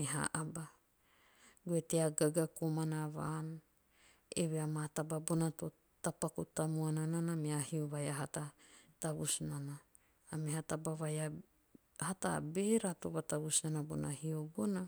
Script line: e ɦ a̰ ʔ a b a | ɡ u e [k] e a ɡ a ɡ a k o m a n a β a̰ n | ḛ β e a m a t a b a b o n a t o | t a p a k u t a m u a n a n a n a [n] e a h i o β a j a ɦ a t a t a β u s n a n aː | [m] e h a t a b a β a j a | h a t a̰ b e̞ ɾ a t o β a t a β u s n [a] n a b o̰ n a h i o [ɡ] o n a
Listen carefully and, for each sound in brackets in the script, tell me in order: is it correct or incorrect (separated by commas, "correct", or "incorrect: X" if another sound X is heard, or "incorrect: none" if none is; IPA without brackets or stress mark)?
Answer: incorrect: t, incorrect: m, correct, correct, incorrect: b